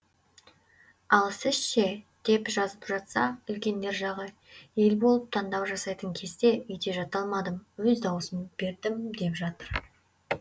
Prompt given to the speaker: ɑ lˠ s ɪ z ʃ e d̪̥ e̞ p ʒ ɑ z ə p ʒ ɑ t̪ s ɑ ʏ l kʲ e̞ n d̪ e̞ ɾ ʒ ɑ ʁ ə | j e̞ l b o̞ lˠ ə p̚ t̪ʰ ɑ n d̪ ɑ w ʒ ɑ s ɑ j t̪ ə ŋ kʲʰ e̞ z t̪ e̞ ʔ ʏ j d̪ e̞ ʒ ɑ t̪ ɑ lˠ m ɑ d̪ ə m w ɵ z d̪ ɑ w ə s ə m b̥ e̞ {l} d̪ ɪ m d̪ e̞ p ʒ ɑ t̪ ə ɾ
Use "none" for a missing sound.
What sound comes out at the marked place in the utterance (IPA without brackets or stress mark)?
ɾ